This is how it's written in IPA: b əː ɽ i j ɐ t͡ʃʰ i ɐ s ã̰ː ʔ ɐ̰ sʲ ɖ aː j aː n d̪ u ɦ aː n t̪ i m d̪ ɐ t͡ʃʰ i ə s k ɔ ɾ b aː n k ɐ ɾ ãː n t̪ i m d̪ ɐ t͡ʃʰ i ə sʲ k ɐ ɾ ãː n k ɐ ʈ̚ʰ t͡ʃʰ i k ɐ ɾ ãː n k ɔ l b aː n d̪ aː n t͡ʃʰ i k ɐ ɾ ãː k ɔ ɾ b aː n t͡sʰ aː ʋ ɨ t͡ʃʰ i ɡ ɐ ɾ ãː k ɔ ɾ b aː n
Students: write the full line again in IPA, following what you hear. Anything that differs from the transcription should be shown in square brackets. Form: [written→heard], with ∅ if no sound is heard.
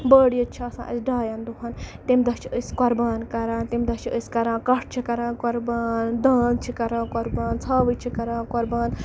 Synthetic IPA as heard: b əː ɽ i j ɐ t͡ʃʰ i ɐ s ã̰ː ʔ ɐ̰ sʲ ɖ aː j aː n d̪ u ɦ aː n t̪ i m d̪ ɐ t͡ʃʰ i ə s k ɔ ɾ b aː n k ɐ ɾ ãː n t̪ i m d̪ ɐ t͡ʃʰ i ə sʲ k ɐ ɾ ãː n k ɐ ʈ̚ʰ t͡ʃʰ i k ɐ ɾ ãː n k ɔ [l→ɾ] b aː n d̪ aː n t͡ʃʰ i k ɐ ɾ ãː k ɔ ɾ b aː n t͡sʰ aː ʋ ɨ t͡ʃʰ i [ɡ→k] ɐ ɾ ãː k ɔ ɾ b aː n

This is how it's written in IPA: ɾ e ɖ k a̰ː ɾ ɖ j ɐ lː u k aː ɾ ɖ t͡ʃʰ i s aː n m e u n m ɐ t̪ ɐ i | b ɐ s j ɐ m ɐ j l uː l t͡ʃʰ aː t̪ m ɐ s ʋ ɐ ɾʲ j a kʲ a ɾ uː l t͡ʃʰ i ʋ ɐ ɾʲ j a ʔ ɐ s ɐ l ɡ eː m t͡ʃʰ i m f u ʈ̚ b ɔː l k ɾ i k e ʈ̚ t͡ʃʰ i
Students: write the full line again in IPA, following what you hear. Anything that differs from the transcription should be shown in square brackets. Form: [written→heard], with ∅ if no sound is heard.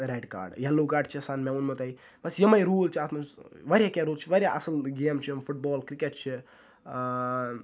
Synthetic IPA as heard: ɾ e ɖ k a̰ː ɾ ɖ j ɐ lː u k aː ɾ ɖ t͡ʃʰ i s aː n m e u n m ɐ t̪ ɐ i | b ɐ s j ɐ m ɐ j [l→ɾ] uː l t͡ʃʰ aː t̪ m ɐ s ʋ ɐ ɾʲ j a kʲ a ɾ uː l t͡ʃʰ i ʋ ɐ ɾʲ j a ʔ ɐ s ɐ l ɡ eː m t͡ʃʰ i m f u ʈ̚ b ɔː l k ɾ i k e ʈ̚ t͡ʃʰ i

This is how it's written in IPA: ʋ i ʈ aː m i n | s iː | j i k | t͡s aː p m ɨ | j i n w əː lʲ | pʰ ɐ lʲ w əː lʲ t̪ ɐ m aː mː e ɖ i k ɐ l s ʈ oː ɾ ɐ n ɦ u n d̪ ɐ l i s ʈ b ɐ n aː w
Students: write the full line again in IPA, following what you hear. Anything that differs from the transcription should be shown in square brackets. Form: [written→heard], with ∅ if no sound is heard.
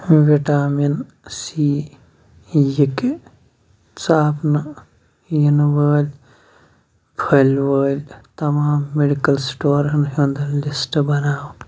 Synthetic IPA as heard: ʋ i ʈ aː m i n | s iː | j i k | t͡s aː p [m→n] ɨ | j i n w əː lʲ | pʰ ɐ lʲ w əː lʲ t̪ ɐ m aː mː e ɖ i k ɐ l s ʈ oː ɾ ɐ n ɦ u n d̪ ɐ l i s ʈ b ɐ n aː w

